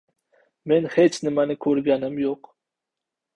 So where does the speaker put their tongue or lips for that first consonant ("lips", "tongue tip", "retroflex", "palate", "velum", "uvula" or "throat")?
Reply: lips